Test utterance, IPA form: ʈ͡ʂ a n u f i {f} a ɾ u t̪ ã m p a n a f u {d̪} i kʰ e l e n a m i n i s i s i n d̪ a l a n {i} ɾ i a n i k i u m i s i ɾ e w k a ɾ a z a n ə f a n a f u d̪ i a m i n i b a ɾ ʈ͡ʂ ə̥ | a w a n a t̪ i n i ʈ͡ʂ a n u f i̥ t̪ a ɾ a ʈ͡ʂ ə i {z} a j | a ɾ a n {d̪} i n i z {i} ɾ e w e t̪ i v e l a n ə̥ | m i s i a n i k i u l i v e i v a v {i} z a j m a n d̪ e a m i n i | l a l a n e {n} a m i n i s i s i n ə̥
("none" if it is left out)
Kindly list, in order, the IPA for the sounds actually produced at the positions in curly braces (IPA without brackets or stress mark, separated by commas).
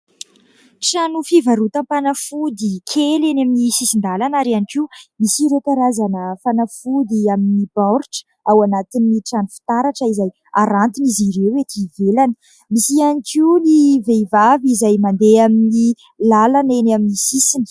v, d̪, a, z, t̪, i, i, n